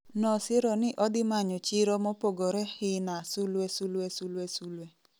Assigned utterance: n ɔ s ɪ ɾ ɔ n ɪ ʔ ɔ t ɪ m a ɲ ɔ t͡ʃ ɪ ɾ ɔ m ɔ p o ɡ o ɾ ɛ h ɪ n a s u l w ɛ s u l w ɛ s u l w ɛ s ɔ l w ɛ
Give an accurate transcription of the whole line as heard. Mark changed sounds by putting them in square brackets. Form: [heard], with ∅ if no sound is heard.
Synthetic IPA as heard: n ɔ s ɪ ɾ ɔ n ɪ ʔ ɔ [d] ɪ m a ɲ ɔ t͡ʃ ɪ ɾ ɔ m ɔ p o ɡ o ɾ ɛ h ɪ n a s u l w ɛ s u l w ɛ s u l w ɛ s [u] l w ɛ